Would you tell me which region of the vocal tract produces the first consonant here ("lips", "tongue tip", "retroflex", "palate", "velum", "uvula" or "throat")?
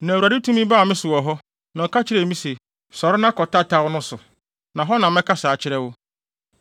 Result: tongue tip